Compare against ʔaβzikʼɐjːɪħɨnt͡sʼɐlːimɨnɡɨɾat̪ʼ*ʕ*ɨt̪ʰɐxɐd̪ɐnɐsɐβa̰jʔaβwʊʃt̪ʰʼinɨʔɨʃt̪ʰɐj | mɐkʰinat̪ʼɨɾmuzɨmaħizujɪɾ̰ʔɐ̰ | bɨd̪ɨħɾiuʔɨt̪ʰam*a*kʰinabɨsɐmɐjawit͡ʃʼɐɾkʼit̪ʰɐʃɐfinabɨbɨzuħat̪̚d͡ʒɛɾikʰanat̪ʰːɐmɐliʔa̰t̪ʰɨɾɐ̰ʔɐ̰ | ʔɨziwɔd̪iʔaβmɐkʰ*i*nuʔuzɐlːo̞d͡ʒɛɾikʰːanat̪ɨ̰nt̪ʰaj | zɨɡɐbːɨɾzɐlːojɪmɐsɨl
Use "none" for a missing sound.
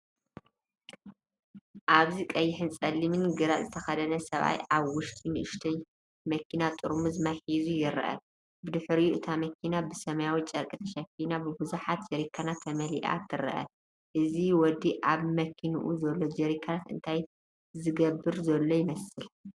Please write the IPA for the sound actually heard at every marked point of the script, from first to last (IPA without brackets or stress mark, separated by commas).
z, ɐ, i